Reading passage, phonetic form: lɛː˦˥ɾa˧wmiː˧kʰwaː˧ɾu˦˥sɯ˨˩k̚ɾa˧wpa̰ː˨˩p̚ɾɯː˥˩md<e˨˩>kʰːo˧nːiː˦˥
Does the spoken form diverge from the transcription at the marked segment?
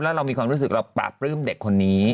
no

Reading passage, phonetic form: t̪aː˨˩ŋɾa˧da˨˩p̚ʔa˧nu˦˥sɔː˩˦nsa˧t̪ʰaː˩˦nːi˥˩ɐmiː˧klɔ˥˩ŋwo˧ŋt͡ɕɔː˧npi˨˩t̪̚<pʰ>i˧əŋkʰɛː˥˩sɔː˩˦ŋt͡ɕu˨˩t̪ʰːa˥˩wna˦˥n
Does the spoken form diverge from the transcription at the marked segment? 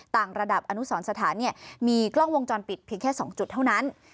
no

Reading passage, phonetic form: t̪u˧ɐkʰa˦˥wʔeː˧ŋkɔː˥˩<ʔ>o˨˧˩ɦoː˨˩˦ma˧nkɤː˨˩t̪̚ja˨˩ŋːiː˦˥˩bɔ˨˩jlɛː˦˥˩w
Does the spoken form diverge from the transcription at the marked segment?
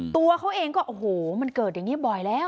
no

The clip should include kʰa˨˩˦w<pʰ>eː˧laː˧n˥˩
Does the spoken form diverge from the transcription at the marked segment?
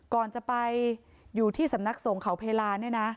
no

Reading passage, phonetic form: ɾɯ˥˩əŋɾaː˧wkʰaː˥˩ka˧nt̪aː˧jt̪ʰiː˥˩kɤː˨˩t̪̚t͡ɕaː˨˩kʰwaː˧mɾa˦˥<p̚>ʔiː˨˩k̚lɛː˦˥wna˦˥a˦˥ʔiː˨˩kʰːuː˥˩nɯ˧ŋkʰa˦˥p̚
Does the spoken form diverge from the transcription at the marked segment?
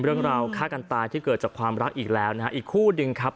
yes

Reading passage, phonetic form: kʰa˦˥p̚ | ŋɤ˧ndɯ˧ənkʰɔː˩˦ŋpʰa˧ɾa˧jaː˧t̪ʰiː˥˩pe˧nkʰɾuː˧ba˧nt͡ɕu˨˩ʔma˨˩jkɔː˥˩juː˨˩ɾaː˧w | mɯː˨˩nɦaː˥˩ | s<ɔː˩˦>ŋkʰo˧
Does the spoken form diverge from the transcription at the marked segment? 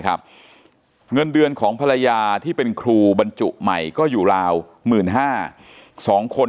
no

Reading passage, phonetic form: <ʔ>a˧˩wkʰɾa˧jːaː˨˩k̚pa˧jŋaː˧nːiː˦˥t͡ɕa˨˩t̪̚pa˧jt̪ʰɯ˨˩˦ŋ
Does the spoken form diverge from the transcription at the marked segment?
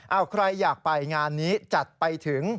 no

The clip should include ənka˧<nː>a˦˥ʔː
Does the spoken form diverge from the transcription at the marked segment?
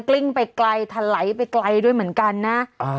no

